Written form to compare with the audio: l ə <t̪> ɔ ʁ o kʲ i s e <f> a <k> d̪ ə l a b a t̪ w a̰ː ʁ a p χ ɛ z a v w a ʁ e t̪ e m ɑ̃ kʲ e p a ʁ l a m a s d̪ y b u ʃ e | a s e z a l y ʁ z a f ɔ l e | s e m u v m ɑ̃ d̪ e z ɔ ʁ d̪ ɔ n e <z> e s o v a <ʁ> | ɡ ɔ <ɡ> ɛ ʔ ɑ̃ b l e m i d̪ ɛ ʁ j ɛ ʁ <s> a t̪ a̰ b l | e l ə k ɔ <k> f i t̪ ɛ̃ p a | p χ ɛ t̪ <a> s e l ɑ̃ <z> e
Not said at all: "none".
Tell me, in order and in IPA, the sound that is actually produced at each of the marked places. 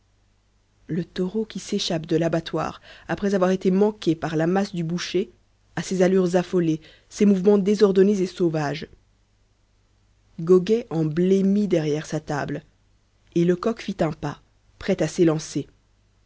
t̪, ʃ, p, z, ʒ, ɡ, s, k, a, s

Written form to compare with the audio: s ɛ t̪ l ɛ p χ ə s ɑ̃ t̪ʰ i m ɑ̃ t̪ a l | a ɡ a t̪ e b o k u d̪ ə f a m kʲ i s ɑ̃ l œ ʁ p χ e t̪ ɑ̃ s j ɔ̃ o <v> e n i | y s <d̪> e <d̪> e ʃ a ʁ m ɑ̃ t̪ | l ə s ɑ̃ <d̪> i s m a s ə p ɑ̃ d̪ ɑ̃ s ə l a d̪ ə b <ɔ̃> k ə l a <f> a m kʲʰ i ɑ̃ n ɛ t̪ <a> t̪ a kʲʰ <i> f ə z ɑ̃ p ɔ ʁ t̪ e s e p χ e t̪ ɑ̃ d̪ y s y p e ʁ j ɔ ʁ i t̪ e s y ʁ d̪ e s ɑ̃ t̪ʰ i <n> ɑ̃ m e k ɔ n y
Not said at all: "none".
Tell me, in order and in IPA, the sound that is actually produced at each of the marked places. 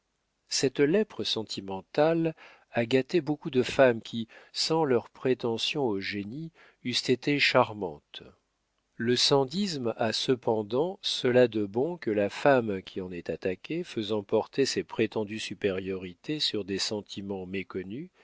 ʒ, t̪, t̪, d̪, ɔ̃, f, a, e, m

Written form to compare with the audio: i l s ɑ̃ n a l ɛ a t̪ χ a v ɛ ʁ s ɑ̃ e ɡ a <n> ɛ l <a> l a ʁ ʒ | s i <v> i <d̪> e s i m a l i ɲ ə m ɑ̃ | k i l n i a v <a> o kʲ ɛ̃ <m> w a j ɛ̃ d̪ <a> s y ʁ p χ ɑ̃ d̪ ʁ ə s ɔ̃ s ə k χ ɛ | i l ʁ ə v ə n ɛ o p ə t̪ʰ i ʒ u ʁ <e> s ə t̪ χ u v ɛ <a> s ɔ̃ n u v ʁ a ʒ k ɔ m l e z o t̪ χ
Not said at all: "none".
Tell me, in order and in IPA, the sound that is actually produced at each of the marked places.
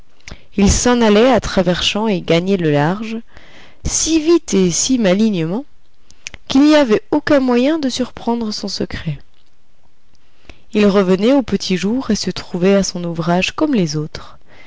ɲ, ə, v, t̪, ɛ, m, ə, e, a

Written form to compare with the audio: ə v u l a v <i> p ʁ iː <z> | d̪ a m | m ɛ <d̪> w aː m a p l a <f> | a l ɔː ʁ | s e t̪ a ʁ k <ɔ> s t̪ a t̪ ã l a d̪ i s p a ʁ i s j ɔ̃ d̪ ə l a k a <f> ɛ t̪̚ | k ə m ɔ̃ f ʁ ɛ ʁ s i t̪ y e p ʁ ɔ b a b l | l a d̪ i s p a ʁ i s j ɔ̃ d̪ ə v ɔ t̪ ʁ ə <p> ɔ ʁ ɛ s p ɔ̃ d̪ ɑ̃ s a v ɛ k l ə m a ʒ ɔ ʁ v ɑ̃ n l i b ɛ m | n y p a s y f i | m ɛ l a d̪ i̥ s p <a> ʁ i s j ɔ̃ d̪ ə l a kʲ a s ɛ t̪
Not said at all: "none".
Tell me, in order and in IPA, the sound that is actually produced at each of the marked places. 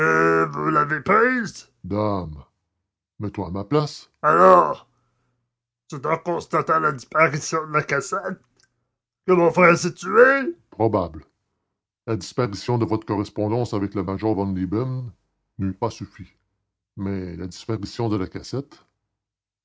e, z, t̪, s, ɔ̃, s, k, a

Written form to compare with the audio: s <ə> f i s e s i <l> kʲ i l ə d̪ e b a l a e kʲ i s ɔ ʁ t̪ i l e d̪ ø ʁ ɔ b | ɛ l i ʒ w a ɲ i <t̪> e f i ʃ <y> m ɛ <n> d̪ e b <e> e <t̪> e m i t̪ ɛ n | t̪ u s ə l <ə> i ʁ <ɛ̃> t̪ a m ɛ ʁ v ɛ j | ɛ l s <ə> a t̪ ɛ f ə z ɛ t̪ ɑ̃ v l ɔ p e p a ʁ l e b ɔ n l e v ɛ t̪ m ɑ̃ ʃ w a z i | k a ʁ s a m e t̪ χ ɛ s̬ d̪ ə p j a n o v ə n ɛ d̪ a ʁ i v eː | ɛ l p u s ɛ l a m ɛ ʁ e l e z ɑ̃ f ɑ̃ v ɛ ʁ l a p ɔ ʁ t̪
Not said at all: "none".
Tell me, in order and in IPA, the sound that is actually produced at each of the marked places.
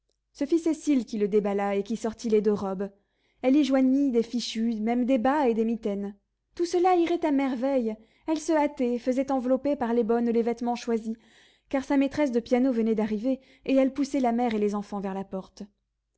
ə, l, d̪, y, m, a, d̪, a, ɛ, ə

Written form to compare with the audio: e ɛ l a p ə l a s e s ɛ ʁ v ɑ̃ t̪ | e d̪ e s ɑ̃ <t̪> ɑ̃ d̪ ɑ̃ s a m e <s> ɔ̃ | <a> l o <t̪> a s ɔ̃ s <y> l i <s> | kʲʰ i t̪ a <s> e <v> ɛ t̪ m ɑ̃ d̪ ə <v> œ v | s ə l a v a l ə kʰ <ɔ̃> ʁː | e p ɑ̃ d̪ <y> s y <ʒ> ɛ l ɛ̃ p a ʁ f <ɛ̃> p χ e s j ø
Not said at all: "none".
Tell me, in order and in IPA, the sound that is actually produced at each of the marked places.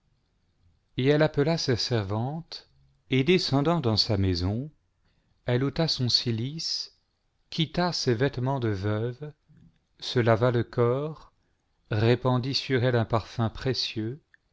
d̪, z, ɛ, t̪, i, s, s, v, v, ɔ, i, ʁ, ɛ̃

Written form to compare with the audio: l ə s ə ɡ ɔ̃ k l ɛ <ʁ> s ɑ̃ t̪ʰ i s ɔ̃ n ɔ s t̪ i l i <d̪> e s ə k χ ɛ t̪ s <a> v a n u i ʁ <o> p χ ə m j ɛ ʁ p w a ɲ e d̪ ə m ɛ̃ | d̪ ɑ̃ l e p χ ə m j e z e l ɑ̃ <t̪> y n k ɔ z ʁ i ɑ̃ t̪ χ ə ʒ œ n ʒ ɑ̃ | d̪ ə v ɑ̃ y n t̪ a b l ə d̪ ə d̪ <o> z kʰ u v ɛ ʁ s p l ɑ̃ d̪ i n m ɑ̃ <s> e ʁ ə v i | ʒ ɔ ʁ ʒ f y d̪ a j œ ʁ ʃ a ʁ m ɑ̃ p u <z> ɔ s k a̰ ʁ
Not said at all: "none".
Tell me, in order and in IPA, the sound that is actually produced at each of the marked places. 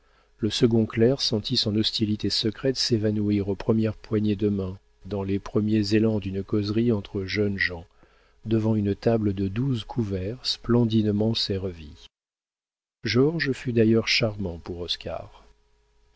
ʁ, t̪, e, o, d̪, u, s, ʁ

